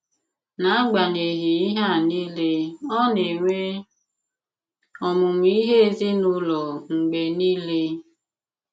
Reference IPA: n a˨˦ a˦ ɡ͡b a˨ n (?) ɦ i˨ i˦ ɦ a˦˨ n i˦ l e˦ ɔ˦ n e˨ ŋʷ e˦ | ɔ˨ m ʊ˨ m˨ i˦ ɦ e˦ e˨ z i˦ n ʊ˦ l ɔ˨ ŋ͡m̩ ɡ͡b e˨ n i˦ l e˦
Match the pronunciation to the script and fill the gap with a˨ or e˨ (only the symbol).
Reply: e˨